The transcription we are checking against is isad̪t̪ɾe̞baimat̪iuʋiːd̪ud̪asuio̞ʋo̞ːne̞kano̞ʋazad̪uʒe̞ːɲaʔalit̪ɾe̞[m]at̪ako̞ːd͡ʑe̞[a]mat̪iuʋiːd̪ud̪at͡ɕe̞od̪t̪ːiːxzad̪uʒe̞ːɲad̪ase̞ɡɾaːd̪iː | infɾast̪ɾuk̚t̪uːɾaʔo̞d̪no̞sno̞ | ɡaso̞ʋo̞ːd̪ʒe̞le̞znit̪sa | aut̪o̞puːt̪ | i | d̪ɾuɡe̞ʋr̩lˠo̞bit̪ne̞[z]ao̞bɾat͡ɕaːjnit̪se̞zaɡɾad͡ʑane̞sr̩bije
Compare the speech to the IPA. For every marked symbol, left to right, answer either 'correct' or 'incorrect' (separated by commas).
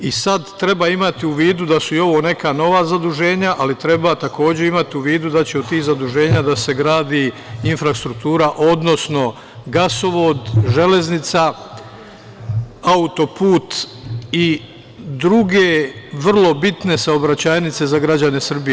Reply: incorrect, incorrect, incorrect